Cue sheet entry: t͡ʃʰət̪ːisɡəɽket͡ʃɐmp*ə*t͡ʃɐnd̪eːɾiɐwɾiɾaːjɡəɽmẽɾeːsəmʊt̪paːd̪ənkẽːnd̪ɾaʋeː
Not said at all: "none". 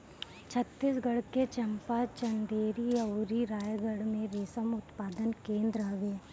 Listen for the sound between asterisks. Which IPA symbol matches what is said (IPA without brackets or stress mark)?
a